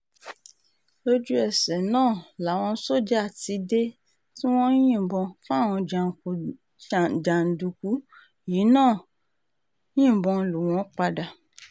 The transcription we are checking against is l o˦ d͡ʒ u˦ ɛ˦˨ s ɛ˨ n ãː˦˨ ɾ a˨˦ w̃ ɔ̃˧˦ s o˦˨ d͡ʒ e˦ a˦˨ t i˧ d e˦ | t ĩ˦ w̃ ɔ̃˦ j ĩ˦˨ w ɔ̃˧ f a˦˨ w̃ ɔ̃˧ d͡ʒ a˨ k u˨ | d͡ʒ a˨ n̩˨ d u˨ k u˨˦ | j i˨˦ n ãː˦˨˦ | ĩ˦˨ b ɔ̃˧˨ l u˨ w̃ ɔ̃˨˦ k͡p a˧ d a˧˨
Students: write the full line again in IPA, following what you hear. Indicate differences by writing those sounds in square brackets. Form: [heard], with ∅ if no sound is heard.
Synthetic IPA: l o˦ d͡ʒ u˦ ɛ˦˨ s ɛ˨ n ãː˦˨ [l] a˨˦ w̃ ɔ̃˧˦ s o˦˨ d͡ʒ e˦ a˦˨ t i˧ d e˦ | t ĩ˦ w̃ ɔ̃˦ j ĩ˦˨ [b] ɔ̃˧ f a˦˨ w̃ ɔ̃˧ d͡ʒ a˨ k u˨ | d͡ʒ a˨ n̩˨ d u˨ k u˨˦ | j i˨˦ n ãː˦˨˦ | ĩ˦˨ b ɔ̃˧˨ l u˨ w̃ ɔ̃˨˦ k͡p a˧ d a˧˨